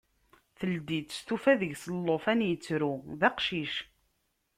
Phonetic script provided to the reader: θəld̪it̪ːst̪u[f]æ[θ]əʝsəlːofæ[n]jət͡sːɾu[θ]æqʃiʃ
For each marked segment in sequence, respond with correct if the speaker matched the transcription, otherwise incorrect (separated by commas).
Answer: correct, incorrect, correct, incorrect